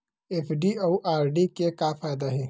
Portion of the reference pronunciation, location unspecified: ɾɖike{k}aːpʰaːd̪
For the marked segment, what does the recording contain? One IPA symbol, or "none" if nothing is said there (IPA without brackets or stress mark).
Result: k